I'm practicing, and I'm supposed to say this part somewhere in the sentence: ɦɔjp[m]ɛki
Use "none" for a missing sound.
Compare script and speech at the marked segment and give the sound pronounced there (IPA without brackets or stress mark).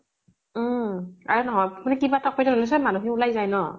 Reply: n